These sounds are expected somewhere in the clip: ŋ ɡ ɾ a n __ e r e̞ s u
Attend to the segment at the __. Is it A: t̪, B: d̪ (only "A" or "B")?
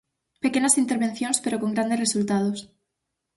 B